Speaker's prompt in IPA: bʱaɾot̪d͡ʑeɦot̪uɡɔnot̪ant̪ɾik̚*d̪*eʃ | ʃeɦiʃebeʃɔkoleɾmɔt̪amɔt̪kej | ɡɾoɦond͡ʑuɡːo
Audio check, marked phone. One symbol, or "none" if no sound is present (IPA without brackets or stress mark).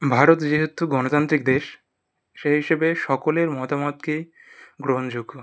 d̪